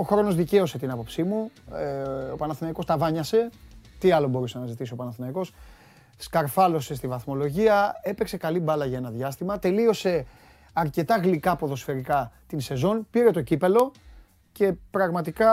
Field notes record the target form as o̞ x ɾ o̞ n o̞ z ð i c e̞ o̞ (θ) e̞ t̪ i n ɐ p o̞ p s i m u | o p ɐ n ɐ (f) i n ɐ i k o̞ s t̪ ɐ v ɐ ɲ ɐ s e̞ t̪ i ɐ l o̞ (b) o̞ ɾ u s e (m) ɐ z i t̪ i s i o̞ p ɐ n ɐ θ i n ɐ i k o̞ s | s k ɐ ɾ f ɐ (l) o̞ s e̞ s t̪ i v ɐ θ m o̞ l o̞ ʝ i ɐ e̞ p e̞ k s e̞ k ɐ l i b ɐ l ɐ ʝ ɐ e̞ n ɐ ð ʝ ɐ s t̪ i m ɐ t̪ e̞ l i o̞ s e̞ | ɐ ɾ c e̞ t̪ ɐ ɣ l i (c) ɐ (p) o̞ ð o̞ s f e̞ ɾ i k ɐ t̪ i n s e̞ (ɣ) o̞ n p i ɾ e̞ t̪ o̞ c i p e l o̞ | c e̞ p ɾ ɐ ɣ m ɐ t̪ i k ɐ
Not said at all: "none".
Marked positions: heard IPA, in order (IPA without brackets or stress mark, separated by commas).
s, θ, b, n, l, k, p, z